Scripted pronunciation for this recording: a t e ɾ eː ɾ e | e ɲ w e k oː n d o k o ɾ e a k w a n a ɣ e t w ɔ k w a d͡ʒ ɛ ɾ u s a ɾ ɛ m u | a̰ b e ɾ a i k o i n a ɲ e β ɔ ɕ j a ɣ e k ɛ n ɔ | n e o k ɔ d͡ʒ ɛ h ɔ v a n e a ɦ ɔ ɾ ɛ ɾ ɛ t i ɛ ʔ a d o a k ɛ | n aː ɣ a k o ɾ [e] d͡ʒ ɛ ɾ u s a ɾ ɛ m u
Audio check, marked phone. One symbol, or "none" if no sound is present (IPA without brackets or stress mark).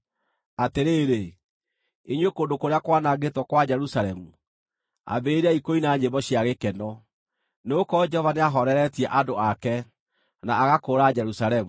a